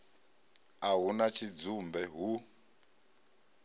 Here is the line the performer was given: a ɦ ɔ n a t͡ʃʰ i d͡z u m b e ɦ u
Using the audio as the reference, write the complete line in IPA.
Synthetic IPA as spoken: a ɦ u n a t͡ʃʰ i d͡z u m b ɛ ɦ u